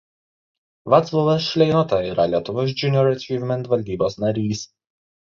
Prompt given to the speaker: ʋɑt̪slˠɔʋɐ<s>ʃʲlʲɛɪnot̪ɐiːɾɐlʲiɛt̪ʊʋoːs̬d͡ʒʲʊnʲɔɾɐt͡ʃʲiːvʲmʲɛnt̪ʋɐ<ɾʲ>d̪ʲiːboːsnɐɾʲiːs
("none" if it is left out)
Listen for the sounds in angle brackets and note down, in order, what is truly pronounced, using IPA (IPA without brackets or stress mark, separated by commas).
s, lʲ